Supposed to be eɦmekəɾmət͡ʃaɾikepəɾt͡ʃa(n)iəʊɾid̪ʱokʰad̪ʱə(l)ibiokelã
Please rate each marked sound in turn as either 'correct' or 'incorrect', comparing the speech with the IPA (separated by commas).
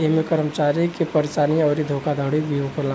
correct, incorrect